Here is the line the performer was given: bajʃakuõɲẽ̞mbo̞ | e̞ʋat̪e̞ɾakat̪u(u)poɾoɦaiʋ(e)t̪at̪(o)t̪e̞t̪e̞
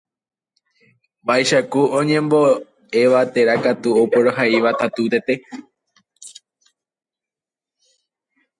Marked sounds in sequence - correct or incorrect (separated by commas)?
incorrect, incorrect, incorrect